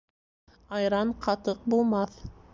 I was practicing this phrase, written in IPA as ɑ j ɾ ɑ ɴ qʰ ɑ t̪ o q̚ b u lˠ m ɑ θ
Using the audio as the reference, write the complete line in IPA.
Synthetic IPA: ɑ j ɾ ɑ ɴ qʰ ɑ t̪ ɤ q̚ b u lˠ m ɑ θ